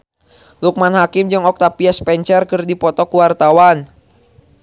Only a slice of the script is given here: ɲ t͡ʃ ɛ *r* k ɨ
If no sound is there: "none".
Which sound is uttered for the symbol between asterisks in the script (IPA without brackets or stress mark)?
r